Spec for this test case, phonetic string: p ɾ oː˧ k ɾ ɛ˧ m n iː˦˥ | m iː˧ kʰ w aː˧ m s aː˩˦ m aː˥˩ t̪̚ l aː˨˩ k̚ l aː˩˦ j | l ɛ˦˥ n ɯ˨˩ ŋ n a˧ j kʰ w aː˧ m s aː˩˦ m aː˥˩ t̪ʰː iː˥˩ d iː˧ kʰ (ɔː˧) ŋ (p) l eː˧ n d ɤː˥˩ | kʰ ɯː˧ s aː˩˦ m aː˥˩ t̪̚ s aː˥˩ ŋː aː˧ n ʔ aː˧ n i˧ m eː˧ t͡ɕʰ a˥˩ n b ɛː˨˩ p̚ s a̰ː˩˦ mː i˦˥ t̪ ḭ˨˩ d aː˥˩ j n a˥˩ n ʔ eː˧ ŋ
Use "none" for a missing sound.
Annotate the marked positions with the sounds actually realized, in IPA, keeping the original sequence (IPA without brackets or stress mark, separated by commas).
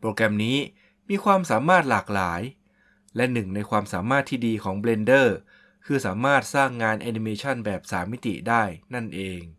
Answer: ɔː˩˦, b